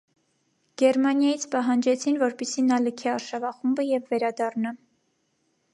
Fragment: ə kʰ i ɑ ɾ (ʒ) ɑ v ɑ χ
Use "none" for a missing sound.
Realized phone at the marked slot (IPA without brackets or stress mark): ʃ